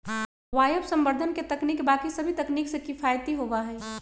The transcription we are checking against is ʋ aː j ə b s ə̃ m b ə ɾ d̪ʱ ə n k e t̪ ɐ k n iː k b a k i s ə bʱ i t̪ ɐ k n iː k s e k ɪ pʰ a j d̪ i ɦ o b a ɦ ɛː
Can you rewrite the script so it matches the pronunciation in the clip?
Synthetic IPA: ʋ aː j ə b s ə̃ m b ə ɾ d̪ʱ ə n k e t̪ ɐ k n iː k b a k i s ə bʱ i t̪ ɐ k n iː k s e k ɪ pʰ a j t̪ i ɦ o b a ɦ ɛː